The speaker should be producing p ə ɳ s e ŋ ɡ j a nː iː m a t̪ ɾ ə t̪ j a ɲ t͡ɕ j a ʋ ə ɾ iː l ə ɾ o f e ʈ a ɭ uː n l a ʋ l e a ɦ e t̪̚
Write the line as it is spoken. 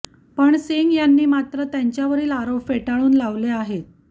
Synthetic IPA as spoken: p ə ɳ s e ŋ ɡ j a nː iː m a t̪ ɾ ə t̪ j a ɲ t͡ɕ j a ʋ ə ɾ iː l a ɾ o f e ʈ a ɭ uː n l a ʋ l e a ɦ e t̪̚

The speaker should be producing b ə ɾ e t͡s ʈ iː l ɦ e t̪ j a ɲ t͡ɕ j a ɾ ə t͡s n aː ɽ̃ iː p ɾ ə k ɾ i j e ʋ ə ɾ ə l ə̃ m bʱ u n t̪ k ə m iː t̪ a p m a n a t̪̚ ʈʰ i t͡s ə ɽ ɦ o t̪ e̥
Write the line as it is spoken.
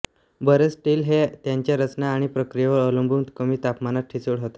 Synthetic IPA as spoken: b ə ɾ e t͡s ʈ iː l ɦ e t̪ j a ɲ t͡ɕ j a ɾ ə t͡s n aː ɽ̃ i p ɾ ə k ɾ i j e ʋ ə ɾ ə l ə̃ m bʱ u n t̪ k ə m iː t̪ a p m a n a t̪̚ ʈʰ i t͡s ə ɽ ɦ o t̪ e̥

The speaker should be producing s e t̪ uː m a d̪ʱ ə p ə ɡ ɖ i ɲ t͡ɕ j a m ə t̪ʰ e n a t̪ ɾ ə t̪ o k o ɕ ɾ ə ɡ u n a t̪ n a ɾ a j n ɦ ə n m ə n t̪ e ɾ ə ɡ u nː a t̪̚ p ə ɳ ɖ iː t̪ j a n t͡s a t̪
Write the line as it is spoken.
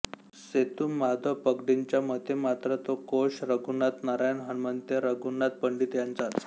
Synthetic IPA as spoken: s e t̪ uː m a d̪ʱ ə p ə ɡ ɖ i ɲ t͡ɕ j a m ə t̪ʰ e m a t̪ ɾ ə t̪ o k o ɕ ɾ ə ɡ u n a t̪ n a ɾ a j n ɦ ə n m ə n t̪ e ɾ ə ɡ u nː a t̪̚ p ə ɳ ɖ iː t̪ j a n t͡s a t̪

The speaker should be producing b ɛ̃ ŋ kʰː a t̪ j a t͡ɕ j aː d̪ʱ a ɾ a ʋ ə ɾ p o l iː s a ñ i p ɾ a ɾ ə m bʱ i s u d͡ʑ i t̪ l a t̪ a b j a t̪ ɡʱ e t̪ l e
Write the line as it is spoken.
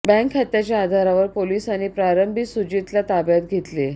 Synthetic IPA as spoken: b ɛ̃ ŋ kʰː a t̪ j a t͡ɕ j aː d̪ʱ a ɾ a ʋ ə ɾ p o l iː s a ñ i p ɾ a ɾ ə m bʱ i s u d͡ʑ i t̪ l a t̪ a b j a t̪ ɡʱ e t̪ l e

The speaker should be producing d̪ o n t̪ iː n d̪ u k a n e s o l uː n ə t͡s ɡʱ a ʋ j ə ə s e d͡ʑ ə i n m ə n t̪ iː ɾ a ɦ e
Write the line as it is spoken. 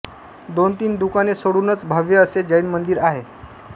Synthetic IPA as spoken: d̪ o n t̪ iː n d̪ u k a n e s o ɽ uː n ə t͡s bʱ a ʋ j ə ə s e d͡ʑ ə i n m ə n d̪ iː ɾ a ɦ e

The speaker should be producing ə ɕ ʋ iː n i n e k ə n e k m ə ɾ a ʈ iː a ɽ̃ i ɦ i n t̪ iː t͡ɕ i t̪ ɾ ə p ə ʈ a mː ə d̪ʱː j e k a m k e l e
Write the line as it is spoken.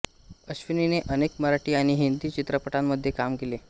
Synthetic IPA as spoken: ə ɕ ʋ i n i n e ʔ ə n e k m ə ɾ a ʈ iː a ɽ̃ i ɦ i n d̪ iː t͡ɕ i t̪ ɾ ə p ə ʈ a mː ə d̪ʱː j e k a m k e l e

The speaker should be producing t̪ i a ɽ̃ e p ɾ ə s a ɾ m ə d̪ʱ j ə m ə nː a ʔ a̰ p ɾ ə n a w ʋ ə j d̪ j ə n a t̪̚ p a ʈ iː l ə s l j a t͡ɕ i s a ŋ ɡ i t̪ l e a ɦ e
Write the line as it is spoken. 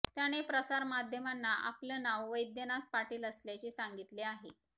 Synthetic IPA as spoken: t̪ j a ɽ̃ e p ɾ ə s a ɾ m a d̪ʱ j ə m a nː a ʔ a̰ p l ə n a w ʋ ə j d̪ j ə n a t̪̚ p a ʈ iː l ə s l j a t͡ɕ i s a ŋ ɡ i t̪ l e a ɦ e

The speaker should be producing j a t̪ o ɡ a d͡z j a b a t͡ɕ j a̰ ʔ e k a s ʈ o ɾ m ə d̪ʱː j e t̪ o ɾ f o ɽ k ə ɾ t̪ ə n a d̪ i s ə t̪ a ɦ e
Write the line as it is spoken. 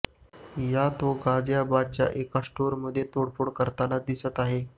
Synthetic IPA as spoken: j a t̪ o ɡ a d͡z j a b a t͡ɕ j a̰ ʔ e k a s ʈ o ɾ m ə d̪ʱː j e t̪ o ɽ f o ɽ k ə ɾ t̪ a n a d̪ i s ə t̪ a ɦ e

